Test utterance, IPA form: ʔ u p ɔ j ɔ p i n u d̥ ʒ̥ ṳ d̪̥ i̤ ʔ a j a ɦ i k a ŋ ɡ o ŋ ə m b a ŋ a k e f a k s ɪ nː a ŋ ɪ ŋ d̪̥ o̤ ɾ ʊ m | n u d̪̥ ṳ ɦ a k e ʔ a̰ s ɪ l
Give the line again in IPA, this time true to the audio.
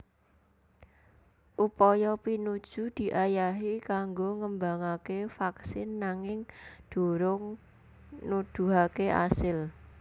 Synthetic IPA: ʔ u p ɔ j ɔ p i n u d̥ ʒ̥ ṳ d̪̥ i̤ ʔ a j a ɦ i k a ŋ ɡ o ŋ ə m b a ŋ a k e f a k s ɪ nː a ŋ ɪ ŋ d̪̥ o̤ ɾ ʊ ŋ | n u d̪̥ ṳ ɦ a k e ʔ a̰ s ɪ l